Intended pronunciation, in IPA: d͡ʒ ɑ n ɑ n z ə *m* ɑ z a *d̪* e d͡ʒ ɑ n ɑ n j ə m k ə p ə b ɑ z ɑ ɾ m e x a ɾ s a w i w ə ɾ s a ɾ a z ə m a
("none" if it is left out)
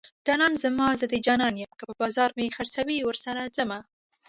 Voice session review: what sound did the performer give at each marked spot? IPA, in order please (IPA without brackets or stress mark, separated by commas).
m, d̪